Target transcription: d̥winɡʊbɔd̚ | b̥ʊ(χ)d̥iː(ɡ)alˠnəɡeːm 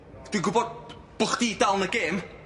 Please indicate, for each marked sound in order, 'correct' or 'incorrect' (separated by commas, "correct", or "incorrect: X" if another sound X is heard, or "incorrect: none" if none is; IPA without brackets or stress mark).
correct, incorrect: d